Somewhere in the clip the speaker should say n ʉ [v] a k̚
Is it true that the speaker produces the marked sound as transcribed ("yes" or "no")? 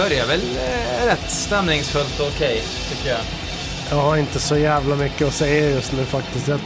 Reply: no